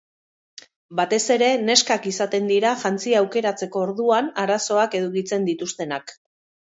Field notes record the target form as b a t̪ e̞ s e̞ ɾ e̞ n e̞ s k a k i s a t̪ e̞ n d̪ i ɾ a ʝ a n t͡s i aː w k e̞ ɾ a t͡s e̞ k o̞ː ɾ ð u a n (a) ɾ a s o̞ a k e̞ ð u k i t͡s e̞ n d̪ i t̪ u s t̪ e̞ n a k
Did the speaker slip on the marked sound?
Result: no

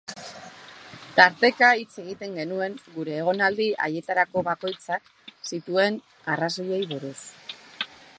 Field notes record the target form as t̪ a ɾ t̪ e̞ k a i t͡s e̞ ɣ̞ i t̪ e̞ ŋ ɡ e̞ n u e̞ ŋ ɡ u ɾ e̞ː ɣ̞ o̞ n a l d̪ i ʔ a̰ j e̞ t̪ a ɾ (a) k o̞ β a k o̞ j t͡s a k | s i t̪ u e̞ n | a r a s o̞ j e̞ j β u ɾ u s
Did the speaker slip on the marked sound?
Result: no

